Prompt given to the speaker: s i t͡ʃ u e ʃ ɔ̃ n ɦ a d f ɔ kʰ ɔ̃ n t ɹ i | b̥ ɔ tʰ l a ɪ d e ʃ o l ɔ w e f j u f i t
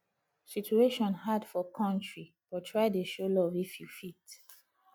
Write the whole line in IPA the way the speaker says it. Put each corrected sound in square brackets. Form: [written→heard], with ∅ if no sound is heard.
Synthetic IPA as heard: s i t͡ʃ u e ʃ ɔ̃ n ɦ a d f ɔ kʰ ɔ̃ n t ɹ i | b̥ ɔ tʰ [l→ɹ] a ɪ d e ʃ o l ɔ [w→v] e f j u f i t